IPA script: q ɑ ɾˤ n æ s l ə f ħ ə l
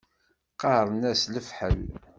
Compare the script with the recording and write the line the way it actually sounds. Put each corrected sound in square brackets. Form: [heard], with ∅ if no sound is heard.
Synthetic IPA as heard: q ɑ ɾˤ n æ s l ə f ħ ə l